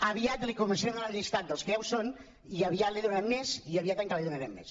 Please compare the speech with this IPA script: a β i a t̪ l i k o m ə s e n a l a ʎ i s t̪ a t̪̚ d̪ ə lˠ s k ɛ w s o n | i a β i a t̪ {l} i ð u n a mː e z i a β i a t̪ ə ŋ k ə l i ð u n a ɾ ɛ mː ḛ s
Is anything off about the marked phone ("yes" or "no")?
no